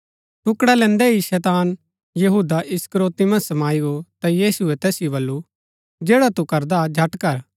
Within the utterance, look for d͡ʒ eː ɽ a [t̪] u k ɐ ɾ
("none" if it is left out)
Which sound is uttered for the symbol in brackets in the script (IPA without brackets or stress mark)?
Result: t̪